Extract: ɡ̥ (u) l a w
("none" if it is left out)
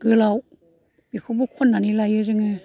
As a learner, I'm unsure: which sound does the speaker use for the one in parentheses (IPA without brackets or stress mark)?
ɯ